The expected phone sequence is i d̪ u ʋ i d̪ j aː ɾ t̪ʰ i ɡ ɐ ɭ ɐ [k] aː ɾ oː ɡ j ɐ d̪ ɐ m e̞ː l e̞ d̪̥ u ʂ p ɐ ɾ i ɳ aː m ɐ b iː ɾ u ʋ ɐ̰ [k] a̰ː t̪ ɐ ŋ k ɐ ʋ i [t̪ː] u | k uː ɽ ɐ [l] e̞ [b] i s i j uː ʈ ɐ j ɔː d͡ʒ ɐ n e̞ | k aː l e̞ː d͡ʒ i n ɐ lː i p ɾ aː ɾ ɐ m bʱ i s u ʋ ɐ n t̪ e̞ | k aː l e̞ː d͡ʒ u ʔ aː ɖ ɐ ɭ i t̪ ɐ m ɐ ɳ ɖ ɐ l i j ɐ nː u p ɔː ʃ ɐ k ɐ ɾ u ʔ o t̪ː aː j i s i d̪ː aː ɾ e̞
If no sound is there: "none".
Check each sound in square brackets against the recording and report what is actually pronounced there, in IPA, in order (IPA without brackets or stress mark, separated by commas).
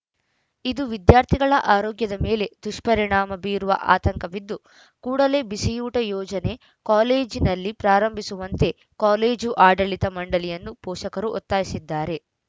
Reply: ʔ, ʔ, d̪ː, l, b